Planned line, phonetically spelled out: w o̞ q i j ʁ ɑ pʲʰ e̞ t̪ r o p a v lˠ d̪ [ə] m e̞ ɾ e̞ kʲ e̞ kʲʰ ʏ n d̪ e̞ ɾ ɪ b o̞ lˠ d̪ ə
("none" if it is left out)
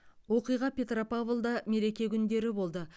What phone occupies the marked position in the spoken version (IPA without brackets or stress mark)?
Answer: ɑ